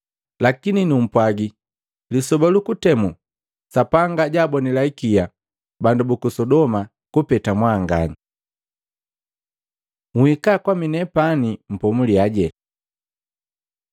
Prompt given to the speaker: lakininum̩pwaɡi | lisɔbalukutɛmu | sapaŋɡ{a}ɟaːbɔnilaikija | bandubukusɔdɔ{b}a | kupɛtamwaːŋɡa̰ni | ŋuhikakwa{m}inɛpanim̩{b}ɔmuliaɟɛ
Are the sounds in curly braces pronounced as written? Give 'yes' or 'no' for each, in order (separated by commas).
yes, no, yes, no